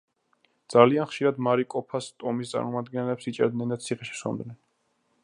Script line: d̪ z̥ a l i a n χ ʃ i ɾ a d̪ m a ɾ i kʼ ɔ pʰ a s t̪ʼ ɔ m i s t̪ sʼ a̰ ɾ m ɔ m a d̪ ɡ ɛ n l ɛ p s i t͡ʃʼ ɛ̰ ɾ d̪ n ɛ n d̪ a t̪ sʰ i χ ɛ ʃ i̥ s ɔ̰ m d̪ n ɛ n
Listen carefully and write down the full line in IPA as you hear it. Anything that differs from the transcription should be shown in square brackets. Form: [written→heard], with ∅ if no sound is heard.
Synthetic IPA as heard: d̪ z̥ a l i a n χ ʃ i ɾ a d̪ m a ɾ i kʼ ɔ pʰ a s t̪ʼ ɔ m i s t̪ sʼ a̰ ɾ m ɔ m a d̪ ɡ ɛ n l ɛ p s i t͡ʃʼ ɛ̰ ɾ d̪ n ɛ n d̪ a t̪ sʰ i χ ɛ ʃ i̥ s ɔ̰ m d̪ n ɛ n